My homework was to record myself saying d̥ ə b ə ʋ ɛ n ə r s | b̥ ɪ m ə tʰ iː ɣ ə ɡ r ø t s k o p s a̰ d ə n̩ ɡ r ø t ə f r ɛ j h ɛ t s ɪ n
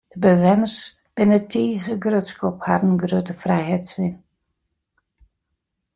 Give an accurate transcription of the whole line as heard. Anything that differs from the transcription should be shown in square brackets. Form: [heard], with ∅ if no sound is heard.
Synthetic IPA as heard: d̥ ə b ə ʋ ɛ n ə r s | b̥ ɪ [n] ə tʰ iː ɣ ə ɡ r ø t s k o p [h] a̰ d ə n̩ ɡ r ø t ə f r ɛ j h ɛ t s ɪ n